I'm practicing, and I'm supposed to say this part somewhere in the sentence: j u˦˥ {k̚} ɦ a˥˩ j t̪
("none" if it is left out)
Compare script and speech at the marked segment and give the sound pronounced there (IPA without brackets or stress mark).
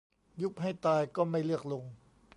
k̚